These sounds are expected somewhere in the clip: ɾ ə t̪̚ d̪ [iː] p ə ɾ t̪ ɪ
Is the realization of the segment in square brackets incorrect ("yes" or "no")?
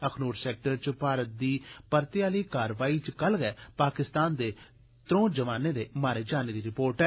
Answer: no